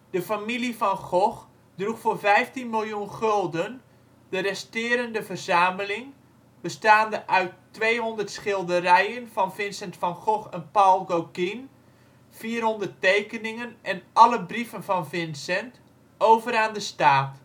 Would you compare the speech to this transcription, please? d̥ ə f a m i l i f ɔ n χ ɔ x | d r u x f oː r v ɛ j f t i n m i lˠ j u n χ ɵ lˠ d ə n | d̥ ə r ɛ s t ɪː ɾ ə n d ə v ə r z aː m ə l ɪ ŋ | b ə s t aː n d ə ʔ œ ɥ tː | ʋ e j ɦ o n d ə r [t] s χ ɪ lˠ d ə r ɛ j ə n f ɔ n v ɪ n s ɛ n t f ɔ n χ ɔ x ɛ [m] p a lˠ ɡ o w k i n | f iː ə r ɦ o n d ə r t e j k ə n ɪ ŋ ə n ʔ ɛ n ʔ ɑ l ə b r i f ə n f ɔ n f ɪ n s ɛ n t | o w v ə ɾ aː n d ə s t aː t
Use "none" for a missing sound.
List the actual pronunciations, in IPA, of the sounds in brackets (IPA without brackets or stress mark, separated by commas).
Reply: t, n